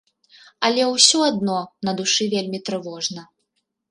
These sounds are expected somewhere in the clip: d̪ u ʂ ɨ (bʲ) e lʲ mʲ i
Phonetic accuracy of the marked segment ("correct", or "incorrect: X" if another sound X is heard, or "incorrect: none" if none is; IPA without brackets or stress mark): incorrect: vʲ